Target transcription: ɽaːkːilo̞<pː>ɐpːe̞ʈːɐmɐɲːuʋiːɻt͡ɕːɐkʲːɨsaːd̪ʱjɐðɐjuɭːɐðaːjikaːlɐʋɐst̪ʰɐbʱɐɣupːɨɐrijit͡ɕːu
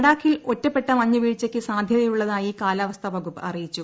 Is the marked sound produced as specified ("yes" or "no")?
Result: no